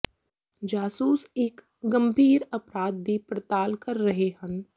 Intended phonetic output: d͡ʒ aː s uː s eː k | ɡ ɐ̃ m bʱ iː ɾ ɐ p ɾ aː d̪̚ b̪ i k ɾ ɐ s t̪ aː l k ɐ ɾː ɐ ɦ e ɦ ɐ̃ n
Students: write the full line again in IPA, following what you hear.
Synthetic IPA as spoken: d͡ʒ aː s uː s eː k | ɡ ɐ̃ m bʱ iː ɾ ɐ p ɾ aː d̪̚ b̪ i p ɾ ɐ t̪ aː l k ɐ ɾː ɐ ɦ e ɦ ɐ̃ n